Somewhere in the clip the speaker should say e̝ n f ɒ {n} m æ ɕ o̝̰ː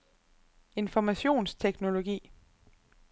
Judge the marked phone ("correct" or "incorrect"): incorrect